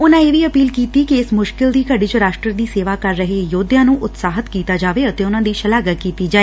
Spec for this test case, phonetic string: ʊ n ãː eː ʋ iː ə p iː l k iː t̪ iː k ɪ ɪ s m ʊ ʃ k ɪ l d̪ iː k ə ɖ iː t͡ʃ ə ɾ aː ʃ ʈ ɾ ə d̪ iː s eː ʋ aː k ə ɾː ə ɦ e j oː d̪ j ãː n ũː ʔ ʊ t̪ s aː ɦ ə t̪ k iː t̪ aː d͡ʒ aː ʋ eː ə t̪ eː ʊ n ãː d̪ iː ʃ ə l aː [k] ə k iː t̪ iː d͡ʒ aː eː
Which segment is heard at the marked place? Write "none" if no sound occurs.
ɡ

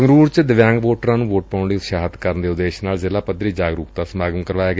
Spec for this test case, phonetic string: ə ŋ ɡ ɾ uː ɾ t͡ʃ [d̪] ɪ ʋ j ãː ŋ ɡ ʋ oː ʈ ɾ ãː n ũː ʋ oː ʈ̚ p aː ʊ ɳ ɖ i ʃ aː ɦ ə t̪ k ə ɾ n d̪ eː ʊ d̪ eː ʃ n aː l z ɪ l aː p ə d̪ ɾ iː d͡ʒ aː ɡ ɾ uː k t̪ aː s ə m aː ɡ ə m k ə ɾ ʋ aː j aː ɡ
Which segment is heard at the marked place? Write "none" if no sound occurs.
d̪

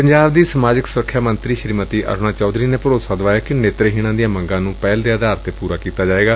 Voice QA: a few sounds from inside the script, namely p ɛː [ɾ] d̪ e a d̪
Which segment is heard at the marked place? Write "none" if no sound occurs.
l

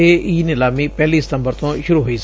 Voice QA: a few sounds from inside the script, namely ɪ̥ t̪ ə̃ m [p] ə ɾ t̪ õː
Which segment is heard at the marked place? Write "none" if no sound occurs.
b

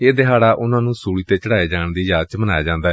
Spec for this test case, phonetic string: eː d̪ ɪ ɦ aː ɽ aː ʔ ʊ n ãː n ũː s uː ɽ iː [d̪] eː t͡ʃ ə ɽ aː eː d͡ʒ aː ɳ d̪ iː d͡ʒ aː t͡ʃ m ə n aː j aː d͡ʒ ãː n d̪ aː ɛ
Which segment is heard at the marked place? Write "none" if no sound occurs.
t̪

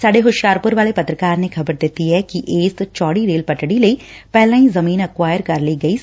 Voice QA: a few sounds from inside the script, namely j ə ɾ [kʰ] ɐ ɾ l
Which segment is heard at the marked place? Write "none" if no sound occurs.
k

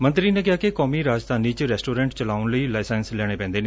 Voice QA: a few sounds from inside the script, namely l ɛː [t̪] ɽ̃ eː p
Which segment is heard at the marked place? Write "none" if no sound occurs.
none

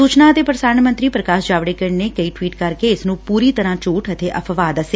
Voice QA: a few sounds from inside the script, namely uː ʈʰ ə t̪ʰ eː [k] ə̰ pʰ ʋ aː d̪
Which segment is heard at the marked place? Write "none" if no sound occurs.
ʔ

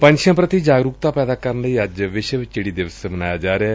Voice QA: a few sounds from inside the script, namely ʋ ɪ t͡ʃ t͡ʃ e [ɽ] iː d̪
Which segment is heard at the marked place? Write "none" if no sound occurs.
ɽ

